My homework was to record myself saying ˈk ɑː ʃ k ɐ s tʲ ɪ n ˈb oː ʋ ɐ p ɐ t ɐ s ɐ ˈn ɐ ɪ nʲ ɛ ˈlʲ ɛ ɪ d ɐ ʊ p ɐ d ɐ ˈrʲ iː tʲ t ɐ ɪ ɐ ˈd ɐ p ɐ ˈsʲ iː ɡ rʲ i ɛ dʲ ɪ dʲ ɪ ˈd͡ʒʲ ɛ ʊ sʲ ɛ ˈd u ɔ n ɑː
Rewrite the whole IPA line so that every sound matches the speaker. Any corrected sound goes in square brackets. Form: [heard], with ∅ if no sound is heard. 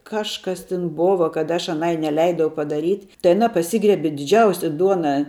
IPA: ˈk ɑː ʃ k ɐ s tʲ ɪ n ˈb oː ʋ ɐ [k] ɐ t ɐ [ʃ] ɐ ˈn ɐ ɪ nʲ ɛ ˈlʲ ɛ ɪ d ɐ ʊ p ɐ d ɐ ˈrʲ iː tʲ t ɐ ɪ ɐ [ˈn] ɐ p ɐ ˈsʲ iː ɡ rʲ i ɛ [bʲ] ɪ dʲ ɪ ˈd͡ʒʲ ɛ ʊ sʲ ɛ ˈd u ɔ n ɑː

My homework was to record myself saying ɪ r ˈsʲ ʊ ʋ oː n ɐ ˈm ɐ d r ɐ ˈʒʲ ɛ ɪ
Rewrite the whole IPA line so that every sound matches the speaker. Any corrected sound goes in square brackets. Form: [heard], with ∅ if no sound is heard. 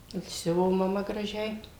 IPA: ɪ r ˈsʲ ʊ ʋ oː [m] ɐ ˈm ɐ [ɡ] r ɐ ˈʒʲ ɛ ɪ

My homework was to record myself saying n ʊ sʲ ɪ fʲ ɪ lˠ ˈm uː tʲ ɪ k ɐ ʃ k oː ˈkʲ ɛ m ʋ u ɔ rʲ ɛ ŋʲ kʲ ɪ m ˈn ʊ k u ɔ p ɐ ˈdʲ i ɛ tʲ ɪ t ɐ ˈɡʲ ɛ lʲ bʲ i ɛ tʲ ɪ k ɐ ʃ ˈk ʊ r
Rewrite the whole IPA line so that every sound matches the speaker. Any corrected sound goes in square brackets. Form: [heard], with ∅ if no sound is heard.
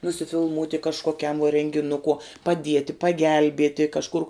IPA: n ʊ sʲ ɪ fʲ ɪ lˠ ˈm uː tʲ ɪ k ɐ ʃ k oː ˈkʲ ɛ m ʋ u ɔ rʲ ɛ ŋʲ [ɡʲ] ɪ [∅] ˈn ʊ k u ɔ p ɐ ˈdʲ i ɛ tʲ ɪ [p] ɐ ˈɡʲ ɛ lʲ bʲ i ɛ tʲ ɪ k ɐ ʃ ˈk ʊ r

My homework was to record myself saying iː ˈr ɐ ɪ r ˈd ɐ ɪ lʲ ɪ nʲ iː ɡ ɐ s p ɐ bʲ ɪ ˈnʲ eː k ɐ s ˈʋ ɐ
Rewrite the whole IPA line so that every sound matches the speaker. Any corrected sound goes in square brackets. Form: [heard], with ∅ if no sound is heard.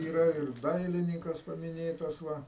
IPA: iː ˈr ɐ ɪ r ˈd ɐ ɪ lʲ ɪ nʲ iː [k] ɐ s p ɐ [mʲ] ɪ ˈnʲ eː [t] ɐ s ˈʋ ɐ

